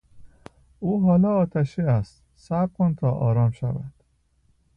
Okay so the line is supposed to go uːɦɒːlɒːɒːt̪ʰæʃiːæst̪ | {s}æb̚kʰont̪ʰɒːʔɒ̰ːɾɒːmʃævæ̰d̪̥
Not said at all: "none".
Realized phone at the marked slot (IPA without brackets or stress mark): s